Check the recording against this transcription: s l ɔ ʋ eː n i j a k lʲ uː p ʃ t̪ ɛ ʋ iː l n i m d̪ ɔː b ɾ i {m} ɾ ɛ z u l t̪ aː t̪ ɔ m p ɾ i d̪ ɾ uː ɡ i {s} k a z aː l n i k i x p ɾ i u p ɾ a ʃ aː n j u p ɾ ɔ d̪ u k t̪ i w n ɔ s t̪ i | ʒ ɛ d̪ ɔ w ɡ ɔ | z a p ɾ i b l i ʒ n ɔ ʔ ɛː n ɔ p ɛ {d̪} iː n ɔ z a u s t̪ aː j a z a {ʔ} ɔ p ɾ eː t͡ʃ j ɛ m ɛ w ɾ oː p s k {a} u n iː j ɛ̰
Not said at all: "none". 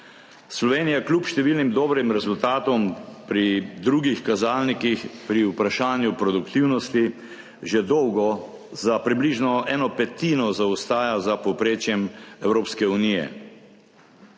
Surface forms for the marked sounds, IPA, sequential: m, x, t̪, p, ɛ

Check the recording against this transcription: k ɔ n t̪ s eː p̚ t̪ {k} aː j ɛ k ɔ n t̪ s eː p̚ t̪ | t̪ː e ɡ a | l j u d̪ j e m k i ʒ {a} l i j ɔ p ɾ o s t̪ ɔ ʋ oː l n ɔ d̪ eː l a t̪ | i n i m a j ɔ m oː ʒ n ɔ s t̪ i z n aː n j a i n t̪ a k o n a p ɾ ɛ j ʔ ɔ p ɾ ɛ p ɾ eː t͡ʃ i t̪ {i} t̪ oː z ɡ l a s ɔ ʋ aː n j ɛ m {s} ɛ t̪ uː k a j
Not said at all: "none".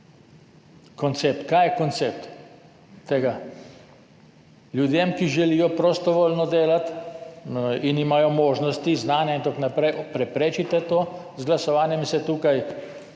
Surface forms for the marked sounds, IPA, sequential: k, ɛ, ɛ, s

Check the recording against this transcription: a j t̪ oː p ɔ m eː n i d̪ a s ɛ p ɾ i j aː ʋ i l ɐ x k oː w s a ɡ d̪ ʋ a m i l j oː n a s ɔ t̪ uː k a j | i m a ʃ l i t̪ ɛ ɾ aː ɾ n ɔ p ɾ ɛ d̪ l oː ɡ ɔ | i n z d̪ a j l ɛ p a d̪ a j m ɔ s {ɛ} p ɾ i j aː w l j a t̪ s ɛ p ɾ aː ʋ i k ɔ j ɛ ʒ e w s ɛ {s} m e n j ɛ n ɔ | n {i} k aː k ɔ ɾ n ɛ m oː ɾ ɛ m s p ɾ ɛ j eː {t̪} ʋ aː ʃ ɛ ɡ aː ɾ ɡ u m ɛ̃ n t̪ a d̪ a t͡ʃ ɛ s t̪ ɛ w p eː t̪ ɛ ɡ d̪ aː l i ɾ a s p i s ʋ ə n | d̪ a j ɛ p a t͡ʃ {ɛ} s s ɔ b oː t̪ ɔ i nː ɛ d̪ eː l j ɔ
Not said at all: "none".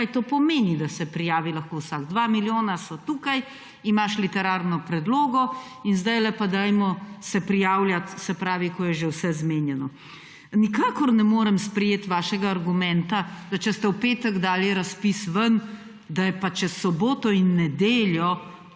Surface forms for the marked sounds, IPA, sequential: ɛ, z, i, t̪, ɛ

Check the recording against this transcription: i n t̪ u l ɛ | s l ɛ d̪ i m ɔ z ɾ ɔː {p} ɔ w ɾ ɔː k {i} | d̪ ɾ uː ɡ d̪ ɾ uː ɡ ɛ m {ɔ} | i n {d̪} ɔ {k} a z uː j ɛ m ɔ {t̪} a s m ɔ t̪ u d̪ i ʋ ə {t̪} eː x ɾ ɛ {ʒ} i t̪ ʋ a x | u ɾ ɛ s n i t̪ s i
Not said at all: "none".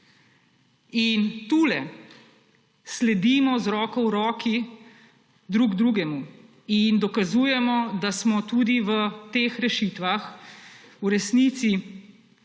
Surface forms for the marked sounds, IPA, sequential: k, i, u, d̪, k, d̪, t̪, ʃ

